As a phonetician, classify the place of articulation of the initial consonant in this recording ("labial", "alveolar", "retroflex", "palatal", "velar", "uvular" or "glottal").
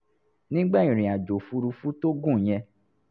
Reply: alveolar